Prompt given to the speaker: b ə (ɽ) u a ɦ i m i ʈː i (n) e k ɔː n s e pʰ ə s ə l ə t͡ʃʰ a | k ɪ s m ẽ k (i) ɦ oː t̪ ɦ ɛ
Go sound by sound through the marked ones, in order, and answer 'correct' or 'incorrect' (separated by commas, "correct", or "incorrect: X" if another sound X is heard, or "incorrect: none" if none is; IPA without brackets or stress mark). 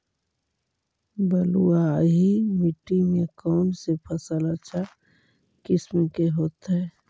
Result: incorrect: l, incorrect: m, incorrect: e